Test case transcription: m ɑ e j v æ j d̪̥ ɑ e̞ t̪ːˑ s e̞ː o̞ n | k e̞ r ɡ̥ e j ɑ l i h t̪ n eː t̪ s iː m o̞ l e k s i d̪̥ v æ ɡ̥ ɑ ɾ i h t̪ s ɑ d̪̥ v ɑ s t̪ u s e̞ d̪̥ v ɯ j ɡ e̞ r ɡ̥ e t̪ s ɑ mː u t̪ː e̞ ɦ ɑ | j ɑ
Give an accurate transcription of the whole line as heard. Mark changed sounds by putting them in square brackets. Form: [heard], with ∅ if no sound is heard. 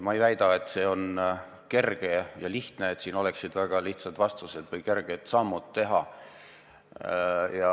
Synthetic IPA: m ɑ e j v æ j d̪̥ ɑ e̞ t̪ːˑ s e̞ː o̞ n | k e̞ r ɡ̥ e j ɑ l i h t̪ n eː t̪ s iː [n] o̞ l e k s i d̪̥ v æ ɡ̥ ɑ [l] i h t̪ s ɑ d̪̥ v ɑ s t̪ u s e̞ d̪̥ v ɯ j [k] e̞ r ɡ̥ e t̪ s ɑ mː u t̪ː e̞ ɦ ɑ | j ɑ